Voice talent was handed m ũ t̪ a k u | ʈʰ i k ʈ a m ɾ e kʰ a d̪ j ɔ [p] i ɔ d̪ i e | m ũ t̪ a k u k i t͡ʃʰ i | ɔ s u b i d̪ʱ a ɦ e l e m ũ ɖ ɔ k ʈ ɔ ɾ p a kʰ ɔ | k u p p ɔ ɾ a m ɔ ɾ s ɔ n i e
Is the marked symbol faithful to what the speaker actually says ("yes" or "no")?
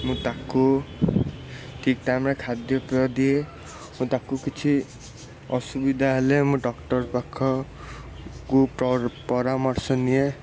yes